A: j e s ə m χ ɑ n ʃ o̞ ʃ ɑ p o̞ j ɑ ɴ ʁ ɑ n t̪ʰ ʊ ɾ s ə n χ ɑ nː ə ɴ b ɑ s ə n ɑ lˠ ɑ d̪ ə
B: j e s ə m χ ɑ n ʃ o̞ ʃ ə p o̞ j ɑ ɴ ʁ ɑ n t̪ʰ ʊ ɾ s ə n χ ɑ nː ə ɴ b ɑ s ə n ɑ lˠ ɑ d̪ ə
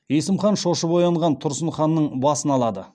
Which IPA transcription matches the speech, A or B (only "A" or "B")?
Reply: B